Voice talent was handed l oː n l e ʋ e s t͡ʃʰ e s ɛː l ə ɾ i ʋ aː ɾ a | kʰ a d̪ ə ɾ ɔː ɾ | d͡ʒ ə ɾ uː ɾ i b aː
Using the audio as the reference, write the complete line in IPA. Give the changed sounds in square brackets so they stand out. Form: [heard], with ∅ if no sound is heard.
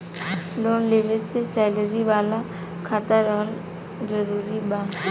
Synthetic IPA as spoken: l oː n l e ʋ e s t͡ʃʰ e s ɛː l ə ɾ i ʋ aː [l] a | kʰ a [t̪] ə ɾ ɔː ɾ | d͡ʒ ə ɾ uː ɾ i b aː

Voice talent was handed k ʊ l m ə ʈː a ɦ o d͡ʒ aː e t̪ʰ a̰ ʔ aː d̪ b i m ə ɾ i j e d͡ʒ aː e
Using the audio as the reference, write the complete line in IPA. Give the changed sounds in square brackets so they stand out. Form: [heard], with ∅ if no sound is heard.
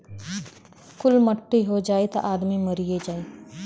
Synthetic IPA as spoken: k ʊ l m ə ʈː [i] ɦ o d͡ʒ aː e [t̪] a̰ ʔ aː d̪ [m] i m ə ɾ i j e d͡ʒ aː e

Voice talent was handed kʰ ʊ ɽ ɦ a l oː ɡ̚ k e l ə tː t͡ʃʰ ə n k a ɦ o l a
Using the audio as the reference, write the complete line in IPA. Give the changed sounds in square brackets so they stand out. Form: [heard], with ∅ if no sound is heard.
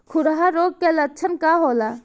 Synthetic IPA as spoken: kʰ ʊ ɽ ɦ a [ɾ] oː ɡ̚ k e l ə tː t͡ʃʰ ə n k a ɦ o l a

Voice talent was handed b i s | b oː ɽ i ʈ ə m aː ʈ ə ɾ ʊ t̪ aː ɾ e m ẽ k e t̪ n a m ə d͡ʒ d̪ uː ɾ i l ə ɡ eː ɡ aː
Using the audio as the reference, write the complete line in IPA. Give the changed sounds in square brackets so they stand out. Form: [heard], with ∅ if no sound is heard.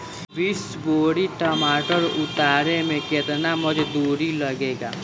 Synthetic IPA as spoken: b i s | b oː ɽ i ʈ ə m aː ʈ ə ɾ ʊ t̪ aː ɾ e m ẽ k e t̪ n a m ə d͡ʒ d̪ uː ɾ i l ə ɡ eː ɡ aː

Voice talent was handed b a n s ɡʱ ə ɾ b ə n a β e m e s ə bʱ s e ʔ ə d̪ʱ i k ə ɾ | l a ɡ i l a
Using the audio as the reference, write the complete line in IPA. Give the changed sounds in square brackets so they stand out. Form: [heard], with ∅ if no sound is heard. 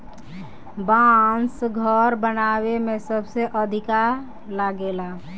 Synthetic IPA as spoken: b a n s ɡʱ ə ɾ b ə n a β e m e s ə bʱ s e ʔ ə d̪ʱ i k [a] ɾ | l a ɡ [e] l a

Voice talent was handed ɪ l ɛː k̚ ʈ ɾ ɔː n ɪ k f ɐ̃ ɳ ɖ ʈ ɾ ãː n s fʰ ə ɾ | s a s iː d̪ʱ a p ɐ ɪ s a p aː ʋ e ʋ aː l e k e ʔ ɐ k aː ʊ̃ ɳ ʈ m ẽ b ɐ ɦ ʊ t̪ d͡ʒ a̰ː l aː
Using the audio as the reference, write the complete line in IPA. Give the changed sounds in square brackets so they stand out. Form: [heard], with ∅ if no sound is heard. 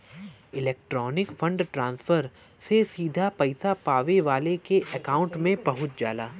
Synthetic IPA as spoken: ɪ l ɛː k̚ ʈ ɾ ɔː n ɪ k f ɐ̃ ɳ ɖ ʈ ɾ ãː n s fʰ ə ɾ | s [e] s iː d̪ʱ a p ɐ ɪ s a p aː ʋ e ʋ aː l e k e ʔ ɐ k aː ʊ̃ ɳ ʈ m ẽ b ɐ ɦ ʊ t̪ d͡ʒ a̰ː l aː

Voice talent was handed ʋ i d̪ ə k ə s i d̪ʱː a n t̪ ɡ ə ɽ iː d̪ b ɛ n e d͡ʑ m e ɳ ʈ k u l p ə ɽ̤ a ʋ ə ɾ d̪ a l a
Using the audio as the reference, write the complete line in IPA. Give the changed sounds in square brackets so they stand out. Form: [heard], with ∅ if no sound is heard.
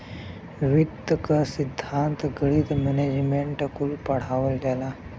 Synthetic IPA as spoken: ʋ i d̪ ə k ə s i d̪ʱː a n t̪ ɡ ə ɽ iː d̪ [m] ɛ n e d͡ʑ m e ɳ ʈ k u l p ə ɽ̤ a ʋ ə [l] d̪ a l a

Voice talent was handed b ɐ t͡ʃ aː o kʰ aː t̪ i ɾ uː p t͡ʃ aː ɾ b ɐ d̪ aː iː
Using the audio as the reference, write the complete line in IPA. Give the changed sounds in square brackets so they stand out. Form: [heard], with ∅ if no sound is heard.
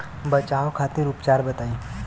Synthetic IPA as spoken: b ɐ t͡ʃ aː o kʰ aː t̪ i ɾ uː p t͡ʃ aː ɾ b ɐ [t̪] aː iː

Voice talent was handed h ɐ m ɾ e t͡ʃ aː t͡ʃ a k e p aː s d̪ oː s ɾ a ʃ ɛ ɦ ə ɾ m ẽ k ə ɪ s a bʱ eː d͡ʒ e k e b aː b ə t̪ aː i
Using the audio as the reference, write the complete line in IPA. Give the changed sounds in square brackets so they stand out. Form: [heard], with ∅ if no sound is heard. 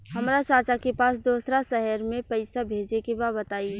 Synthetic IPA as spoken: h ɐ m ɾ [a] t͡ʃ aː t͡ʃ a k e p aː s d̪ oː s ɾ a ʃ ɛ ɦ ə ɾ m ẽ [p] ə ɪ s a bʱ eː d͡ʒ e k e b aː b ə t̪ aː i

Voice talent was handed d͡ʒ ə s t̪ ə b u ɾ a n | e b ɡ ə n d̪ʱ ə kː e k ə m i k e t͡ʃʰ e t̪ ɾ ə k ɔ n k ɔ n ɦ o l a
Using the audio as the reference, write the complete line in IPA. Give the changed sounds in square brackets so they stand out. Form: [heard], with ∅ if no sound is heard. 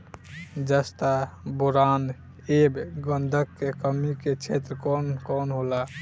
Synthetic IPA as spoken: d͡ʒ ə s t̪ [a] b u ɾ a n | e b ɡ ə n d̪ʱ ə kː e k ə m i k e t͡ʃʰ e t̪ ɾ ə k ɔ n k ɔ n ɦ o l a

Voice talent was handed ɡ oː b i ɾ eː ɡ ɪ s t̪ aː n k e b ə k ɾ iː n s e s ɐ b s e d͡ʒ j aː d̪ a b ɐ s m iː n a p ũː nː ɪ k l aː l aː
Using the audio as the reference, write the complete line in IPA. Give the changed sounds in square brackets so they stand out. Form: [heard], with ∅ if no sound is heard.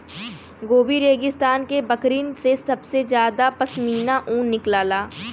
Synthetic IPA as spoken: ɡ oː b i ɾ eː ɡ ɪ s t̪ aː n k e b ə k ɾ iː n s e s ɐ b s e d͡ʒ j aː d̪ a [p] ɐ s m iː n a [ʔ] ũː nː ɪ k l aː l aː

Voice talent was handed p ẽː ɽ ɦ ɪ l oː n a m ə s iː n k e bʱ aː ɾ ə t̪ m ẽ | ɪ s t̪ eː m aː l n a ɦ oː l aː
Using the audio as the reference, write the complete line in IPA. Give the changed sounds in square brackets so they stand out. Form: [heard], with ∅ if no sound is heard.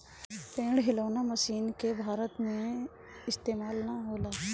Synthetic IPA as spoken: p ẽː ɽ ɦ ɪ l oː n a m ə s iː n k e bʱ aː ɾ ə t̪ m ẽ | ɪ s t̪ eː m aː l n a ɦ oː l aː

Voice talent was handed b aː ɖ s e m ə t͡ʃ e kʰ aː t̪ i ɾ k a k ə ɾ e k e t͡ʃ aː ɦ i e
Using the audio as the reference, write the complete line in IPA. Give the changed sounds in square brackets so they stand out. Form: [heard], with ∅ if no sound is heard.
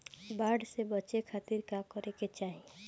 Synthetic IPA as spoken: b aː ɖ s e [b] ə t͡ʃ e kʰ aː t̪ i ɾ k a k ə ɾ e k e t͡ʃ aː ɦ i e

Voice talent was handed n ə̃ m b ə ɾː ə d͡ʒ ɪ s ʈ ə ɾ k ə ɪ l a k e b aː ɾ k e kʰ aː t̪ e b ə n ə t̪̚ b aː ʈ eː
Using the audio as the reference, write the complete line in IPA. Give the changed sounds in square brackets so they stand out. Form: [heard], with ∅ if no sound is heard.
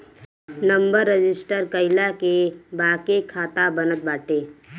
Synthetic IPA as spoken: n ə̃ m b ə ɾː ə d͡ʒ ɪ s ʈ ə ɾ k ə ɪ l a k e b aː [∅] k e kʰ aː t̪ [a] b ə n ə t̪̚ b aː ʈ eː

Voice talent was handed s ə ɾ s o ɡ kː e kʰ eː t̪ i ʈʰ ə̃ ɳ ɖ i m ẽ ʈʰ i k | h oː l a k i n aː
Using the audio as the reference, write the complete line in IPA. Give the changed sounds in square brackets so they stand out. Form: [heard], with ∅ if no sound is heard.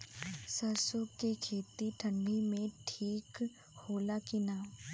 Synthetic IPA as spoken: s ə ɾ s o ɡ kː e kʰ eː t̪ i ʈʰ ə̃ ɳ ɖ i m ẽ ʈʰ [iː] k | h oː l a k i n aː

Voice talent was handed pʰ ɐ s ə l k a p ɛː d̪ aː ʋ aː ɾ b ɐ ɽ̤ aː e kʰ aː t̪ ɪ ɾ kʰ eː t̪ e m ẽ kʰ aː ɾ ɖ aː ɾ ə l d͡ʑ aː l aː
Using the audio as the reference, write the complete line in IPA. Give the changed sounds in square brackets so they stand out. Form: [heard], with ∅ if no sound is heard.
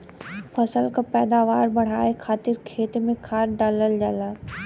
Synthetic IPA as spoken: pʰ ɐ s ə l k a p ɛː d̪ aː ʋ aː ɾ b ɐ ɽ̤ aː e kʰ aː t̪ ɪ ɾ kʰ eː t̪ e m ẽ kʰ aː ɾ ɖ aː [l] ə l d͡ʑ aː l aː

